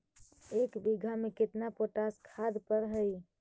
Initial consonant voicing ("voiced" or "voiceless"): voiceless